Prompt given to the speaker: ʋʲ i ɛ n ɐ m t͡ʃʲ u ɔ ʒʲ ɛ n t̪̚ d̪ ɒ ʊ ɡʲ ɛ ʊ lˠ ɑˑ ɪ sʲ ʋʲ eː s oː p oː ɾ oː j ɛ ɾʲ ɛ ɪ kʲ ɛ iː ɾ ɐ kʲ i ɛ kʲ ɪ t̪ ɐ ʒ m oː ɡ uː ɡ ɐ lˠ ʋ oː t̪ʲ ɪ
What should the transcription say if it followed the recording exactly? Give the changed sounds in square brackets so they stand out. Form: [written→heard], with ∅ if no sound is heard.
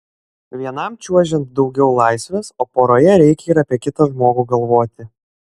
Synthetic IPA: ʋʲ i ɛ n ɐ m t͡ʃʲ u ɔ ʒʲ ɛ n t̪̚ d̪ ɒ ʊ ɡʲ ɛ ʊ lˠ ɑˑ ɪ sʲ ʋʲ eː s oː p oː ɾ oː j ɛ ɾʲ ɛ ɪ kʲ ɛ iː ɾ ɐ [kʲ→pʲ] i ɛ kʲ ɪ t̪ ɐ ʒ m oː ɡ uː ɡ ɐ lˠ ʋ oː t̪ʲ ɪ

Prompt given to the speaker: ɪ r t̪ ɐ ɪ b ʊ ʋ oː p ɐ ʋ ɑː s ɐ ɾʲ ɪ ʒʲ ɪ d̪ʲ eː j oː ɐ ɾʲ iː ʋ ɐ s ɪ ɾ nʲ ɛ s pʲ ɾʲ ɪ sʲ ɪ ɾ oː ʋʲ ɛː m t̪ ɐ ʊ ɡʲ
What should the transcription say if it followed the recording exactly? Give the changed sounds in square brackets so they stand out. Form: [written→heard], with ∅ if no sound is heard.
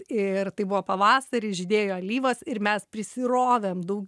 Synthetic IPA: ɪ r t̪ ɐ ɪ b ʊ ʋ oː p ɐ ʋ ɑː s ɐ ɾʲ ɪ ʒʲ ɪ d̪ʲ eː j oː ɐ [ɾʲ→lʲ] iː ʋ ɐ s ɪ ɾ [nʲ→mʲ] ɛ s pʲ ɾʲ ɪ sʲ ɪ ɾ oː ʋʲ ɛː m [t̪→d̪] ɐ ʊ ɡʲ

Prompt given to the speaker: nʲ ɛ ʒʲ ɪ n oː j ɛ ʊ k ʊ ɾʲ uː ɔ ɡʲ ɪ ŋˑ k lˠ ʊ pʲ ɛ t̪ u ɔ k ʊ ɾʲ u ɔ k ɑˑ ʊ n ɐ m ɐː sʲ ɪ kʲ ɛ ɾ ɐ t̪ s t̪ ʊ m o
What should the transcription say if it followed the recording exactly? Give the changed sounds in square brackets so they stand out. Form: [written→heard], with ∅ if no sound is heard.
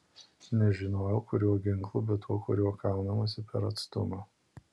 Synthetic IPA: nʲ ɛ ʒʲ ɪ n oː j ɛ ʊ k ʊ ɾʲ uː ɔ ɡʲ ɪ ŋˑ k lˠ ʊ [pʲ→bʲ] ɛ t̪ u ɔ k ʊ ɾʲ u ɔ k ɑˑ ʊ n ɐ m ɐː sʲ ɪ [kʲ→pʲ] ɛ ɾ ɐ t̪ s t̪ ʊ m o

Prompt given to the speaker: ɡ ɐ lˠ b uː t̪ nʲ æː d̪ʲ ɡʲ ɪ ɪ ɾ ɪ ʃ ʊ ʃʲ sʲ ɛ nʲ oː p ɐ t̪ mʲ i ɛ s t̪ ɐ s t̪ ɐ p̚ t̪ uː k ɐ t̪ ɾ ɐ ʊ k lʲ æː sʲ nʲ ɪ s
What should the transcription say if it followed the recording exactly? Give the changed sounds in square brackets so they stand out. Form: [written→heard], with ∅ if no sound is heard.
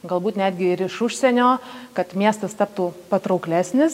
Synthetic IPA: ɡ ɐ lˠ b uː t̪ nʲ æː d̪ʲ ɡʲ ɪ ɪ ɾ ɪ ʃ ʊ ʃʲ sʲ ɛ nʲ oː [p→k] ɐ t̪ mʲ i ɛ s t̪ ɐ s t̪ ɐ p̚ t̪ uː [k→p] ɐ t̪ ɾ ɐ ʊ k lʲ æː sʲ nʲ ɪ s

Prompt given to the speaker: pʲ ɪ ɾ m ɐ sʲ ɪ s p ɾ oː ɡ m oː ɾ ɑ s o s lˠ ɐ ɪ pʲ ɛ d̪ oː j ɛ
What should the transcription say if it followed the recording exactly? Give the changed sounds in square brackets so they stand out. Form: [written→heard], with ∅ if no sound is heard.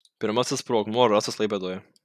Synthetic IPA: pʲ ɪ ɾ m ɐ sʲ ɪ s p ɾ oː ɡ m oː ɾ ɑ s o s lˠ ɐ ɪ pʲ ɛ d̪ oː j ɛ

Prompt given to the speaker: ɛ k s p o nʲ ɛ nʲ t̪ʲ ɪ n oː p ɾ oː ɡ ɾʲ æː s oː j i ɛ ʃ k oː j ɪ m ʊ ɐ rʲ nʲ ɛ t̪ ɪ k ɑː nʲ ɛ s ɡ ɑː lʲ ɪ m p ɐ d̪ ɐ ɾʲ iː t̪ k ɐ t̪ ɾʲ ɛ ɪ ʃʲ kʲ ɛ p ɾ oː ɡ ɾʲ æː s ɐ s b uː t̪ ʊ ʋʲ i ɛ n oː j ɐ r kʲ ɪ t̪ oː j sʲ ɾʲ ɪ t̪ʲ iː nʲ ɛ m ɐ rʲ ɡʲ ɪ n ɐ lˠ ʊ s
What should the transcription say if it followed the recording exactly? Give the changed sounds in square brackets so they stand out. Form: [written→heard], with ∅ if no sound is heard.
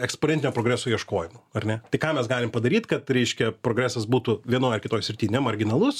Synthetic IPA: ɛ k s p o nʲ ɛ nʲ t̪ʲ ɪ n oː p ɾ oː ɡ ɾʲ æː s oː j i ɛ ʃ k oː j ɪ m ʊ ɐ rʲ nʲ ɛ t̪ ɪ k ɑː [nʲ→mʲ] ɛ s ɡ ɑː lʲ ɪ m p ɐ d̪ ɐ ɾʲ iː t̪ k ɐ t̪ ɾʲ ɛ ɪ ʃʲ kʲ ɛ p ɾ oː ɡ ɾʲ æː s ɐ s b uː t̪ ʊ ʋʲ i ɛ n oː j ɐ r kʲ ɪ t̪ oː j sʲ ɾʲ ɪ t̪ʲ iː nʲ ɛ m ɐ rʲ ɡʲ ɪ n ɐ lˠ ʊ s

